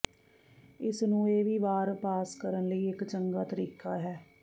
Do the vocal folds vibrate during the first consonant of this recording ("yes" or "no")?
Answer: no